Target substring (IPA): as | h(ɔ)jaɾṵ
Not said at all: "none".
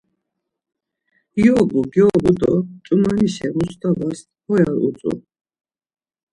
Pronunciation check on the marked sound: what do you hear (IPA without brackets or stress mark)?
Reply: ɔ